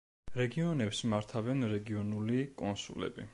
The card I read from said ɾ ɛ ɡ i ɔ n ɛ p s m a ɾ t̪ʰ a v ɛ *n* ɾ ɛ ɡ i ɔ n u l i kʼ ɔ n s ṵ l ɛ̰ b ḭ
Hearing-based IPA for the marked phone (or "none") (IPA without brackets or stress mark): n